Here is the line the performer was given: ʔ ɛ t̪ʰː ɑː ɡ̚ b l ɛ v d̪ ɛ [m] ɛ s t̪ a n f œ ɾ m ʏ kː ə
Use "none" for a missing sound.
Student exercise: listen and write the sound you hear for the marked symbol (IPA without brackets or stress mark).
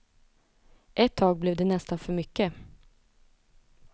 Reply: n